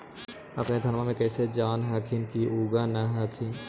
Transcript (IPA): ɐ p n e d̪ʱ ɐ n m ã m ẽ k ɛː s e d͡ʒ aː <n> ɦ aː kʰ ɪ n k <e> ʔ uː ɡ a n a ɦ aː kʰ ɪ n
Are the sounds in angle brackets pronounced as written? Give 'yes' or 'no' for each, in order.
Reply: yes, no

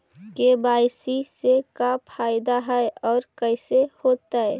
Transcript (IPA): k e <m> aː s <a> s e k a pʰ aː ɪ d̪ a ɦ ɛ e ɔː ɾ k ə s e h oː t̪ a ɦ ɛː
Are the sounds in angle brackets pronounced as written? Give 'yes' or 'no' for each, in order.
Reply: no, no

